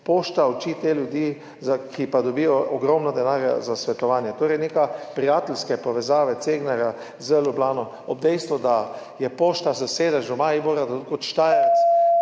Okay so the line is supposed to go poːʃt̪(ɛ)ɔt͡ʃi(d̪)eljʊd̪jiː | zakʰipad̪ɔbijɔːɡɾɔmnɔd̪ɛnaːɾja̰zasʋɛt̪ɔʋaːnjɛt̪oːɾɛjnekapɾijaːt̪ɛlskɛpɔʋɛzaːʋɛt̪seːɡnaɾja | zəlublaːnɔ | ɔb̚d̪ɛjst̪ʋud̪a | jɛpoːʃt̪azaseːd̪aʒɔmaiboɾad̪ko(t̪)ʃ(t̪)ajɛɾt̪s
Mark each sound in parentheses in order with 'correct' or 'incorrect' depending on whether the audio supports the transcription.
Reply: incorrect, incorrect, correct, correct

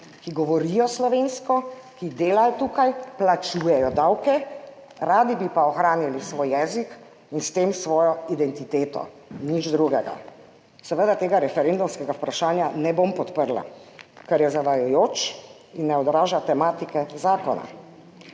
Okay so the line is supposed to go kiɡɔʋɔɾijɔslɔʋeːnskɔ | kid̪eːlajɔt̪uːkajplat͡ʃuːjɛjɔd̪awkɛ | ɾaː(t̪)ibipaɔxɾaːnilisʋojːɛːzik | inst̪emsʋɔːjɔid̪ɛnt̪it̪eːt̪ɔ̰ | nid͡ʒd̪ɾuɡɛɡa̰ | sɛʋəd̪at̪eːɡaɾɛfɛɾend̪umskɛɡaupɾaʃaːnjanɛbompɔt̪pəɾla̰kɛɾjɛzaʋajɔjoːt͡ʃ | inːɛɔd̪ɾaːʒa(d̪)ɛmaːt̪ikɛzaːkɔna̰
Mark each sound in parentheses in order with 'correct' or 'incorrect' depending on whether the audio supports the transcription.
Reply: incorrect, incorrect

